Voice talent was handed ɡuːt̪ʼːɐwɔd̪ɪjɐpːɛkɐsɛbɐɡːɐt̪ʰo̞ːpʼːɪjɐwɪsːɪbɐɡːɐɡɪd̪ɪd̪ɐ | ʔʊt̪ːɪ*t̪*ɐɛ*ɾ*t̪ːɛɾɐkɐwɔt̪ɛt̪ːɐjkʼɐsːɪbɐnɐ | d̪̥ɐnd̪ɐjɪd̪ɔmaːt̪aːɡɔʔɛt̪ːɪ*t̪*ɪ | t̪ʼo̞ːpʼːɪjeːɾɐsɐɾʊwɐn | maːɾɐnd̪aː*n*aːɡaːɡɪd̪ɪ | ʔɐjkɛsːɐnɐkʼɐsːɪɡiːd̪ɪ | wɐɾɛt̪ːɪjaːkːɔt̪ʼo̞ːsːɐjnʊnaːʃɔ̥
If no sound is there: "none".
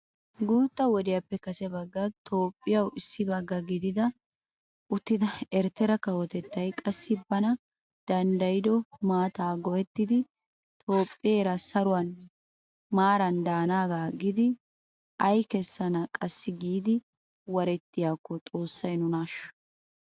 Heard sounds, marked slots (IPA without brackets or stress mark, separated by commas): d̪, ɾ, d̪, n